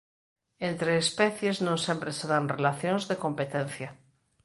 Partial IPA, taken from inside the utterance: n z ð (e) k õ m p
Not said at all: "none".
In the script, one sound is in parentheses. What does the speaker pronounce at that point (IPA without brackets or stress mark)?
e